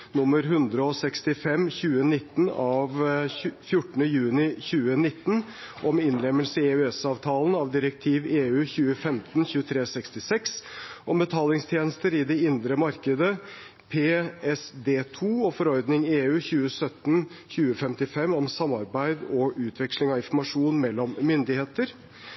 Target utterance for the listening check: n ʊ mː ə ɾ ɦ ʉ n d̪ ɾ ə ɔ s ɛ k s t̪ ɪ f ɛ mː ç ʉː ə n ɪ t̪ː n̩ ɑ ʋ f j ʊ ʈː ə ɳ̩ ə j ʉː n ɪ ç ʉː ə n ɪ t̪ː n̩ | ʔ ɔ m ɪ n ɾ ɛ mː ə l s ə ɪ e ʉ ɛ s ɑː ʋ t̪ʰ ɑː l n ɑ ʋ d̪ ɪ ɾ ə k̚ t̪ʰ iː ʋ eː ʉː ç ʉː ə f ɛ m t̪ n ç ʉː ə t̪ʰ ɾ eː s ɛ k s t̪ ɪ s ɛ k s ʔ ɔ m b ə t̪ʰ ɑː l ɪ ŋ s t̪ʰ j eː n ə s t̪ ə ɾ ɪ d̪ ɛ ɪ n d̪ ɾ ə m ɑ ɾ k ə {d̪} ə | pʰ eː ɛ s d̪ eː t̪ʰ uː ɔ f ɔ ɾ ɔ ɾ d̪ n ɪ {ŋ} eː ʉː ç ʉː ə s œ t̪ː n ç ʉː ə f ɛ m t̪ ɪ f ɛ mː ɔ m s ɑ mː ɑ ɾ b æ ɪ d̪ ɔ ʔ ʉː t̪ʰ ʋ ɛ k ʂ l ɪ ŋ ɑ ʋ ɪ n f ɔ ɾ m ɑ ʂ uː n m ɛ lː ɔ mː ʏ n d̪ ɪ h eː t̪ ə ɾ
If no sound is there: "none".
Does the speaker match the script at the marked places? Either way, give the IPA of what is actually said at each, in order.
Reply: d̪, ŋ

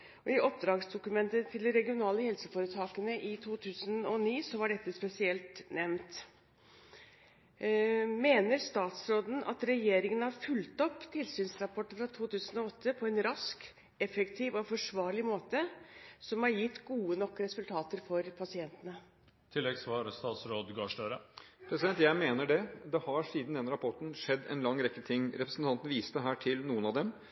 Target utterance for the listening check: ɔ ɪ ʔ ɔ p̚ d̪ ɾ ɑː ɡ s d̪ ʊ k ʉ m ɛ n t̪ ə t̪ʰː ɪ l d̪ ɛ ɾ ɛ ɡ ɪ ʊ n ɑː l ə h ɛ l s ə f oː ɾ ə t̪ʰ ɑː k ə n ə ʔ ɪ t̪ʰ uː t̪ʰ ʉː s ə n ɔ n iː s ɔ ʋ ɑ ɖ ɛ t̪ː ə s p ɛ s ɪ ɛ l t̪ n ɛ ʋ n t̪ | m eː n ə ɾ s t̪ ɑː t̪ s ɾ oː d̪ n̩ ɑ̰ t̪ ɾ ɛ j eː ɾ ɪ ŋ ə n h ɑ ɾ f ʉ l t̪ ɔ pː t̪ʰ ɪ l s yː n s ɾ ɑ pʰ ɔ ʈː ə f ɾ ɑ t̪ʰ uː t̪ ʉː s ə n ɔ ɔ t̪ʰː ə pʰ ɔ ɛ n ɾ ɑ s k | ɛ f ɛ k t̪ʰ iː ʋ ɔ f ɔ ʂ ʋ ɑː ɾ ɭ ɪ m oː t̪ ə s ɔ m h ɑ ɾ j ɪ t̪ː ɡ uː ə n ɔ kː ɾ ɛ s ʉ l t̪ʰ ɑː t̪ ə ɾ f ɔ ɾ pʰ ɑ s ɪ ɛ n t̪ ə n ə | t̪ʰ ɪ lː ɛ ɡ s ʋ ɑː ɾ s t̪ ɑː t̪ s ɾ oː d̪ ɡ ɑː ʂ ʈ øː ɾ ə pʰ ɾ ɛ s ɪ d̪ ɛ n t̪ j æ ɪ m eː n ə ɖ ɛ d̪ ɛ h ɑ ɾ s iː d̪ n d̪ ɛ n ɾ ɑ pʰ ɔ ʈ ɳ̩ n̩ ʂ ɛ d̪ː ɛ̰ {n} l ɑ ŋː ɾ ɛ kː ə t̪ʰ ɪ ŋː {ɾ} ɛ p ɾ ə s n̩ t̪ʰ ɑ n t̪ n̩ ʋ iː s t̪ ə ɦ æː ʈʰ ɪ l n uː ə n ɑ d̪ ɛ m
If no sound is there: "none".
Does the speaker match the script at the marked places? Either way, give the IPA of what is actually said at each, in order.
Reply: n, ɾ

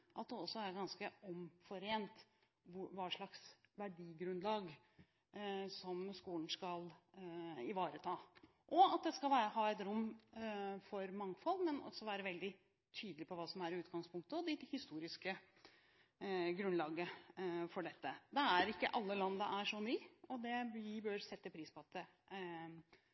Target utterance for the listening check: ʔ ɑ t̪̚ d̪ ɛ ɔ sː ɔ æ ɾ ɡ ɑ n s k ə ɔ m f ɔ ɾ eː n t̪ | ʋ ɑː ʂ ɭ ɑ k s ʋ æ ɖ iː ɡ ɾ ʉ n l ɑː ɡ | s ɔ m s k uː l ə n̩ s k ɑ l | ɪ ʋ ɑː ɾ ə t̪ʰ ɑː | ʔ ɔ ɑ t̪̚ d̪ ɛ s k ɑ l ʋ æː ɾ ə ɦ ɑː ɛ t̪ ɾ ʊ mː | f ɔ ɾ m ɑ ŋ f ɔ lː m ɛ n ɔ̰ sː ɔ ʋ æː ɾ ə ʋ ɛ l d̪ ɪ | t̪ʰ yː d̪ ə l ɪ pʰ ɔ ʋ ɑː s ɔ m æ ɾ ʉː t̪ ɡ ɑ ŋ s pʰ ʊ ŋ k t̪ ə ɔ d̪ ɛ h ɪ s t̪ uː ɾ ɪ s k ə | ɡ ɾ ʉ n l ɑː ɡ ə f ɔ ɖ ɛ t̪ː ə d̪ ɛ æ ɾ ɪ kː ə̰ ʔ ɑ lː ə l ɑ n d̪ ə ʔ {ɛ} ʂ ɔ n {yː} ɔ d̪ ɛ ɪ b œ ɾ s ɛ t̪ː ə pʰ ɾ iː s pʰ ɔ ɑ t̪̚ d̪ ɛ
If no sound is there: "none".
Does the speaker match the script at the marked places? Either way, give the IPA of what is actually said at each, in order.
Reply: æ, yː

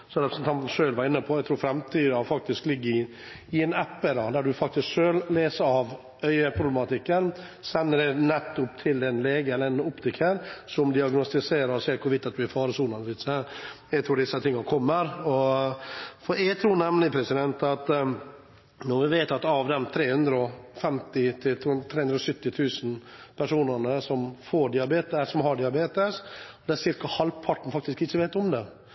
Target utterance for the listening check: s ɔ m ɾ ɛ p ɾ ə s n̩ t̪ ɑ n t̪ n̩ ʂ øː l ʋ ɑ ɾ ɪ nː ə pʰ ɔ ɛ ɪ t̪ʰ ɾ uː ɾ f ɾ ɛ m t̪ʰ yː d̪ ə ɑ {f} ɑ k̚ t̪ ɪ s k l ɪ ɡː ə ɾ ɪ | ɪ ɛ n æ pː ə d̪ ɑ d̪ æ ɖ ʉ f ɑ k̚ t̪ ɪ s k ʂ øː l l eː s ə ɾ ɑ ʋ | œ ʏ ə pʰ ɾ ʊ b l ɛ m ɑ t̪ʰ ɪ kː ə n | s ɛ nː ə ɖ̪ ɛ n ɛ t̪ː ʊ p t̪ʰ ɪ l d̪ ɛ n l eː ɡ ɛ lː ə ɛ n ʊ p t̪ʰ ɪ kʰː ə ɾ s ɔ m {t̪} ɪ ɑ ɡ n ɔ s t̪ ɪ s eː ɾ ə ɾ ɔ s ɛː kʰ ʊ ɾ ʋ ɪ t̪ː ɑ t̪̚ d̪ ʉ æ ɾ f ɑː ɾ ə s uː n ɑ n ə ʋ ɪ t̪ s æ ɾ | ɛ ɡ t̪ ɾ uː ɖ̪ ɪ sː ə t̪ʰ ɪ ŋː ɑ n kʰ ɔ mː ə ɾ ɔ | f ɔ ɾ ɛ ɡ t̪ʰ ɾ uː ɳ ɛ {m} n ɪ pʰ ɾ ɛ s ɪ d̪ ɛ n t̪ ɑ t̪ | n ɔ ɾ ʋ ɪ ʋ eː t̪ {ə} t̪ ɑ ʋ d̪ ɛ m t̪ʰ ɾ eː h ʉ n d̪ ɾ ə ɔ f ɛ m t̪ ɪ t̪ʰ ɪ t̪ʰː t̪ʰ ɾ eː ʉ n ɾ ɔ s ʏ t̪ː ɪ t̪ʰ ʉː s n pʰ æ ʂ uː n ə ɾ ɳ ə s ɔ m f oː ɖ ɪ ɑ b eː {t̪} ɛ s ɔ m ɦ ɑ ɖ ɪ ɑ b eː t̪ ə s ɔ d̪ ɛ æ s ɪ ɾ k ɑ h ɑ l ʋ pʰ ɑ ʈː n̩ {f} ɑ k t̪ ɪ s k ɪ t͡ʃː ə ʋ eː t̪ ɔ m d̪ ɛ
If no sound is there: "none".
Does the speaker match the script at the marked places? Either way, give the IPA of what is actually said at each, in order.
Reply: f, d̪, m, ɑ, t̪, f

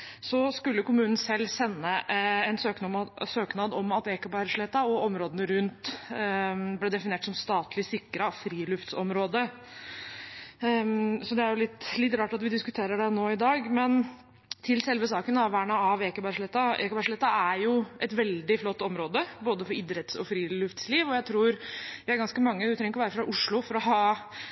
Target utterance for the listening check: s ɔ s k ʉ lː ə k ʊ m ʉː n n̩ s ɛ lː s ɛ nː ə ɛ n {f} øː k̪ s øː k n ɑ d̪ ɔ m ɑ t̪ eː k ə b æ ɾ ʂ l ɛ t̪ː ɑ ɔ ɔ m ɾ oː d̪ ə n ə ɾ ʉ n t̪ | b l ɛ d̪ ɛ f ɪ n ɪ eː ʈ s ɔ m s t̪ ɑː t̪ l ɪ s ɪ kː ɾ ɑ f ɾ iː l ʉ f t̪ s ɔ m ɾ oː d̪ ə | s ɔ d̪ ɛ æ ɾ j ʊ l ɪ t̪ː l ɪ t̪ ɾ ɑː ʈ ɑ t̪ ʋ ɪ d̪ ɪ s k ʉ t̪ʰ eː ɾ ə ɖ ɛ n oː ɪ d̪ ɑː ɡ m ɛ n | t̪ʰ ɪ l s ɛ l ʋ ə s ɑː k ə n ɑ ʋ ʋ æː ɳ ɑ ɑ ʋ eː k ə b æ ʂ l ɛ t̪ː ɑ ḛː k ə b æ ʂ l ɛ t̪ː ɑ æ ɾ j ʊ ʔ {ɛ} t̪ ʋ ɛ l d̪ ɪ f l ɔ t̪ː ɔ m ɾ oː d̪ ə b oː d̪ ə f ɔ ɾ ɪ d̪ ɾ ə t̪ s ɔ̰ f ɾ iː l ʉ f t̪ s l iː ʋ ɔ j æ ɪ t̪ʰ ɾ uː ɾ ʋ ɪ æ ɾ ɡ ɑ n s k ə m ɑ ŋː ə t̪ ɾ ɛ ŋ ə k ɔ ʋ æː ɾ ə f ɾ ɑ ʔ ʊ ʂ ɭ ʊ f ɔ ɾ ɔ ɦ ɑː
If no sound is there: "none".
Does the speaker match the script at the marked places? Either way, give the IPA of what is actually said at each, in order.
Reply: s, ɛ

